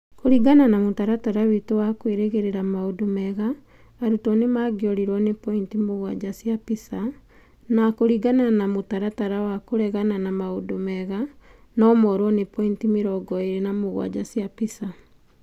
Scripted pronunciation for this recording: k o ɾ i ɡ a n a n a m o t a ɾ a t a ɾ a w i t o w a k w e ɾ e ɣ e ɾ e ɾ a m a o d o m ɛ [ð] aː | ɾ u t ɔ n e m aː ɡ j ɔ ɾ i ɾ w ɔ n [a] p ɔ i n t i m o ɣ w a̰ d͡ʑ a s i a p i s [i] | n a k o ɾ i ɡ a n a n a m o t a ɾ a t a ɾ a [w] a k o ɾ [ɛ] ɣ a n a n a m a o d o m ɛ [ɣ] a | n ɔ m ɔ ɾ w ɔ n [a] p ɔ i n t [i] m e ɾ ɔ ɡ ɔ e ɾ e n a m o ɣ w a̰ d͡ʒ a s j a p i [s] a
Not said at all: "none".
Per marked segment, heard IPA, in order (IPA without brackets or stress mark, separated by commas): ɣ, e, a, w, ɛ, ɣ, e, i, s